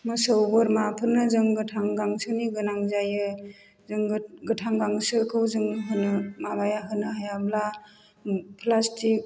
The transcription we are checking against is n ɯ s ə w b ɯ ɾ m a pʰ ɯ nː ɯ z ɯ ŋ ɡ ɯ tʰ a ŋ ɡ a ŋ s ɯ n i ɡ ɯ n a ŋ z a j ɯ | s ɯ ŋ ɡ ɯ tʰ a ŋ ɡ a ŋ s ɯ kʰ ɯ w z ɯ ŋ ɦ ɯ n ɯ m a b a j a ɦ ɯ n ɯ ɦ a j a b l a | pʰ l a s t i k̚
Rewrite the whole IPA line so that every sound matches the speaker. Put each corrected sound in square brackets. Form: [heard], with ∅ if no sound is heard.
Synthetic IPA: [m] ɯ s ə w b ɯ ɾ m a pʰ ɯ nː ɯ z ɯ ŋ ɡ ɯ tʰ a ŋ ɡ a ŋ s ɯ n i ɡ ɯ n a ŋ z a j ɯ | [z] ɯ ŋ ɡ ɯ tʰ a ŋ ɡ a ŋ s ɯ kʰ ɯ w z ɯ ŋ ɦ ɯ n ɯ m a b a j a ɦ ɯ n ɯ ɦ a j a b l a | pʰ l a s t i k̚